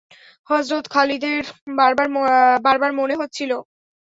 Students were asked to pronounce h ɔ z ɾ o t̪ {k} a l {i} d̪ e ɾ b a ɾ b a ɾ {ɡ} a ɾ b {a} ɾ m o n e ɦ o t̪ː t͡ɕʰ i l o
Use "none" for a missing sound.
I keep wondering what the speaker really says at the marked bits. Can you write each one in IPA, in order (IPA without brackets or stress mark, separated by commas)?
kʰ, i, b, a